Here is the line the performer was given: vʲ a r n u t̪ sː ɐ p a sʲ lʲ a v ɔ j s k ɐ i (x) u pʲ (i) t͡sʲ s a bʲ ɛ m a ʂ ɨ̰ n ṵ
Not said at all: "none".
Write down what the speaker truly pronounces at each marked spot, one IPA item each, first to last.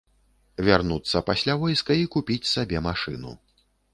k, i

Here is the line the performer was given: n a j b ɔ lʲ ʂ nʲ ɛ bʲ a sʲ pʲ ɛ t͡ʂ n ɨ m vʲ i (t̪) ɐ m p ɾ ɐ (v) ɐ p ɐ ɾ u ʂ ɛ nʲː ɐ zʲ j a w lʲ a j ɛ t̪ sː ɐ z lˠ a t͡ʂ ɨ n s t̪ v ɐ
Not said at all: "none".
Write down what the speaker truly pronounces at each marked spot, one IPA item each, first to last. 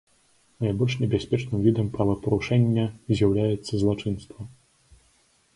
d̪, v

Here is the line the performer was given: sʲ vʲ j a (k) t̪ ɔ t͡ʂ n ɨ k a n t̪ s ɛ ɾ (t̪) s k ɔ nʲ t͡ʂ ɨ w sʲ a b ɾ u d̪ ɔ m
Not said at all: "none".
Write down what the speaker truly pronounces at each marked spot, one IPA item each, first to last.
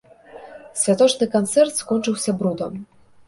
none, t̪

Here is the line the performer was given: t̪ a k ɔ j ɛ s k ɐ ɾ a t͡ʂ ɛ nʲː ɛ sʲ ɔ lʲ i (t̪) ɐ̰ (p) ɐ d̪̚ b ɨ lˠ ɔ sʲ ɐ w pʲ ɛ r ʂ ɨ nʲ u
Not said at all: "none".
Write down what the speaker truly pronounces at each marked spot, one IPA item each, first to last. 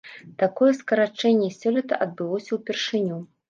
t̪, ʔ

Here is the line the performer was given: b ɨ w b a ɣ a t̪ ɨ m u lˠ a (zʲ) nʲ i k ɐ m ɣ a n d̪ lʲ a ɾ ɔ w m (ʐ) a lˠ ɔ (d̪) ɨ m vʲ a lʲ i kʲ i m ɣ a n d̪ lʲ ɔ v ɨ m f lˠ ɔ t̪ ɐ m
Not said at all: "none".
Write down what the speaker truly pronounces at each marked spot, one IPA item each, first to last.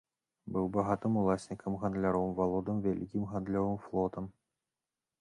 sʲ, v, d̪

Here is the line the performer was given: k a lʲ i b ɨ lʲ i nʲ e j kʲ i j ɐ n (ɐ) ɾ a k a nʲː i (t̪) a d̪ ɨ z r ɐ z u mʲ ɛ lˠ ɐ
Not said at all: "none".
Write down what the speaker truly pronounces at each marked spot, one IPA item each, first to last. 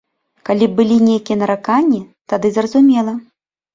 ɐ, t̪

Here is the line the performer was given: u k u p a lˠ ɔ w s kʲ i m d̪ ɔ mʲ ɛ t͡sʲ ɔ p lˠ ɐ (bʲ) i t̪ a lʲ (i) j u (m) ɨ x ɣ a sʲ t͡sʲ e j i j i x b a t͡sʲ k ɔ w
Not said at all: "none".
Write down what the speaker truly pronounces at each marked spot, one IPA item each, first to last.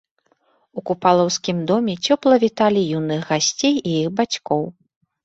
vʲ, i, n

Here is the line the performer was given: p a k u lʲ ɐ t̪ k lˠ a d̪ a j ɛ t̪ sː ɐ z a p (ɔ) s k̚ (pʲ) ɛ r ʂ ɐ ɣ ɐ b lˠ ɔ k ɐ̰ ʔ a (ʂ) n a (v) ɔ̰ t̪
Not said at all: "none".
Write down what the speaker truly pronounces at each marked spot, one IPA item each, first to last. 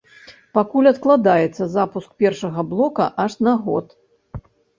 u, pʲ, ʂ, ɣ

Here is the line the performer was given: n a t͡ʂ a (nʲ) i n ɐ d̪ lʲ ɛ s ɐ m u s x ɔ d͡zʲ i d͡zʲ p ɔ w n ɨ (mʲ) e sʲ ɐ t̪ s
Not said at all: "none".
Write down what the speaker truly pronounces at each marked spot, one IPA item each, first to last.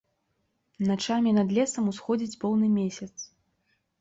mʲ, mʲ

